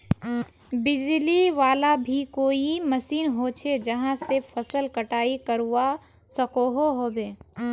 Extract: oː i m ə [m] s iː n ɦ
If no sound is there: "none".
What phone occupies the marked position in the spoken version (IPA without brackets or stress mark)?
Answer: none